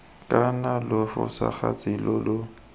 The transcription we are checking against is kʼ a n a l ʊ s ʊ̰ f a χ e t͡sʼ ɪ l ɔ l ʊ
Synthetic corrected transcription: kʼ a n a l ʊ f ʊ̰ s a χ a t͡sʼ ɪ l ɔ l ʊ

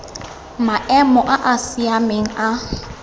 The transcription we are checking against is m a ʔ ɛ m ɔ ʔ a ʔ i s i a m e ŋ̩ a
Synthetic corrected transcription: m a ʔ ɛ m ɔ ʔ a ʔ a s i a m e ŋ̩ a

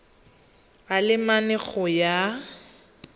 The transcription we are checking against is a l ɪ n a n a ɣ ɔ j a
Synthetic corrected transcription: a l ɪ m a n ɛ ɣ ɔ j a

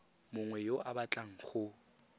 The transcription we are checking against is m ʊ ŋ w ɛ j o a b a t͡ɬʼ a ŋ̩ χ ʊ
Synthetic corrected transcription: m ʊ ŋ w ɛ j o a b a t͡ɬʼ a ŋ̩ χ ʊ

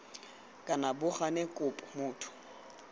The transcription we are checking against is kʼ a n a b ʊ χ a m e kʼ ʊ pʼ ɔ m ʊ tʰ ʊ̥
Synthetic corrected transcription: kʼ a n a b ʊ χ a n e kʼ ʊ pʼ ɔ m ʊː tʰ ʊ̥

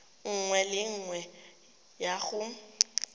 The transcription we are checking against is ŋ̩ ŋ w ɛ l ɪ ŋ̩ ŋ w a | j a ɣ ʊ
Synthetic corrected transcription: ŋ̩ ŋ w ɛ l ɪ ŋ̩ ŋ w ɛ | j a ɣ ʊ

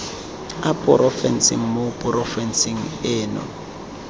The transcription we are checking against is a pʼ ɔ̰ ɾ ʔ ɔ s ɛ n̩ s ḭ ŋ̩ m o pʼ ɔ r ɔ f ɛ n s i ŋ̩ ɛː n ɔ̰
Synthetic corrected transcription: a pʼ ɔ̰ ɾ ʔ ɔ f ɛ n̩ s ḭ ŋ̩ m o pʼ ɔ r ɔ f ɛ n s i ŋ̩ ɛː n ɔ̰

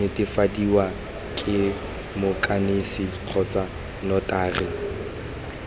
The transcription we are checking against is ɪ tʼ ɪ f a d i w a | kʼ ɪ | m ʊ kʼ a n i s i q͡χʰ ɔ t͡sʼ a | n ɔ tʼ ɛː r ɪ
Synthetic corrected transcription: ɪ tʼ ɪ f a d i w a | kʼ ɪ | m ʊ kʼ a n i s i q͡χʰ ɔ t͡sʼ a | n ɔ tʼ aː r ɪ

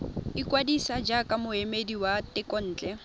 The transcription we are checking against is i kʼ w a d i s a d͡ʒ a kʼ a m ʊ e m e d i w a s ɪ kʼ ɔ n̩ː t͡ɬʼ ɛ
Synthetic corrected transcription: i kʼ w a d i s a d͡ʒ a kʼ a m ʊ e m e d i w a t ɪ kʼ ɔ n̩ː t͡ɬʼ ɛ

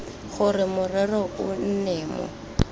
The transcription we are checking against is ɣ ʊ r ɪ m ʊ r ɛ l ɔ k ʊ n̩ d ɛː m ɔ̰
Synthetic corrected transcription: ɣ ʊ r ɪ m ʊ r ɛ r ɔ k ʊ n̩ n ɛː m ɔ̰

